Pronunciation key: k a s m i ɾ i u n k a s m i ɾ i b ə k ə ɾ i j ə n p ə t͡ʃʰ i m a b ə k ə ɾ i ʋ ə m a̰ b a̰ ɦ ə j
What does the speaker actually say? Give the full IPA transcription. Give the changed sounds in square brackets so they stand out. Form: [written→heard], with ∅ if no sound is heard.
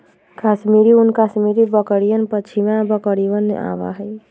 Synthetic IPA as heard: k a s m i ɾ i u n k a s m i ɾ i b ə k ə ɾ i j ə n p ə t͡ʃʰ i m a b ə k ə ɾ i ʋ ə [m→n] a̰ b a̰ ɦ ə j